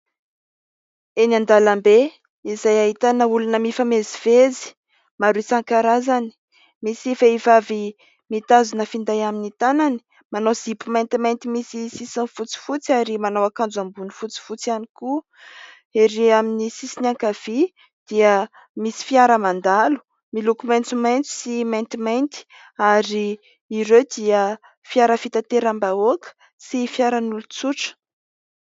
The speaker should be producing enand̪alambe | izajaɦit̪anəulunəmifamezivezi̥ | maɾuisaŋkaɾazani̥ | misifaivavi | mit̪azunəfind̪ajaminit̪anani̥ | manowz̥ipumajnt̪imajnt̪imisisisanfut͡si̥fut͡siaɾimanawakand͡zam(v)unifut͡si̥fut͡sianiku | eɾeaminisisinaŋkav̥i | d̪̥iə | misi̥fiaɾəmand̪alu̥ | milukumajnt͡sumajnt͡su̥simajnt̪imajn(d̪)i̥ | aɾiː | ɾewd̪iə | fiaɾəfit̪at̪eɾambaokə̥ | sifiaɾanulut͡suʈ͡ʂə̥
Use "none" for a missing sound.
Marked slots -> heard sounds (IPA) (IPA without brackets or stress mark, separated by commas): b, t̪